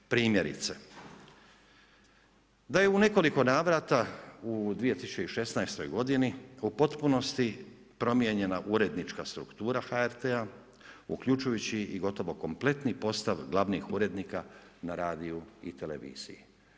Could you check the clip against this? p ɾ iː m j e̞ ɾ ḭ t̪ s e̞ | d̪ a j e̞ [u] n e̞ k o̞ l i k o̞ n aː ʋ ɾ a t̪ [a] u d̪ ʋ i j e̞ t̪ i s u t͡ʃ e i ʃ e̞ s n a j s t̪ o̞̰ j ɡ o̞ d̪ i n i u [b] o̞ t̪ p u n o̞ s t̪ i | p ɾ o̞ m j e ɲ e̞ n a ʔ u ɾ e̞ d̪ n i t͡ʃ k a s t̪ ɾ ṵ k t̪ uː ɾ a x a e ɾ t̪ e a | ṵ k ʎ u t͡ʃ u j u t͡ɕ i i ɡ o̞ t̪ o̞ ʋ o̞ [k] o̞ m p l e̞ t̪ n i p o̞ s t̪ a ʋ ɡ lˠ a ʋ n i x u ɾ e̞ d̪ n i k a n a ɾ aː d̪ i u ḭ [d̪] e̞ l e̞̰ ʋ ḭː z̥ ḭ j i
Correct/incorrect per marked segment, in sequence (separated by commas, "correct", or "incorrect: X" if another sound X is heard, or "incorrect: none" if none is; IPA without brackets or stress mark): correct, correct, incorrect: p, correct, incorrect: t̪